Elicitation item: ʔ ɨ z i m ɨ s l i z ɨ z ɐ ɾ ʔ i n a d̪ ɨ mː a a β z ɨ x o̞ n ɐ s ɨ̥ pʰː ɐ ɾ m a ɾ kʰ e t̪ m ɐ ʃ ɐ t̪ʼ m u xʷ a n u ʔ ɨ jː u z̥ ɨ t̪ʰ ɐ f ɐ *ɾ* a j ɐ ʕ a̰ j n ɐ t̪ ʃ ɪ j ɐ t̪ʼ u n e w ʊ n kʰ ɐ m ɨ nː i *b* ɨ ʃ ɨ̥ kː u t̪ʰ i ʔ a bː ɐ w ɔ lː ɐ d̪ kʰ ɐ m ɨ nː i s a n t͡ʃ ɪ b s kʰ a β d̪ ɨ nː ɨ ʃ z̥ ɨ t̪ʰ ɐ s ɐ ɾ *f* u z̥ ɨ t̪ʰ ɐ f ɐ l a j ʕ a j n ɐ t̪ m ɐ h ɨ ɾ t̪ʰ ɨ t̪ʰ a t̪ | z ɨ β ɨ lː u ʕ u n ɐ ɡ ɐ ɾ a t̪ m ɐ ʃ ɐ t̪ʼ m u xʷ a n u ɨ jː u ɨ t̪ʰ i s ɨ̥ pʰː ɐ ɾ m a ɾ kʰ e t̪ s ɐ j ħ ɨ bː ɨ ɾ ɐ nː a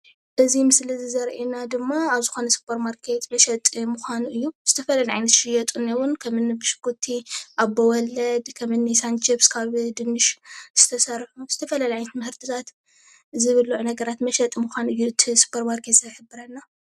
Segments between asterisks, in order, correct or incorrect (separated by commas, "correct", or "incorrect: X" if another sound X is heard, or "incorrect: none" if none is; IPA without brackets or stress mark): incorrect: l, correct, incorrect: ħ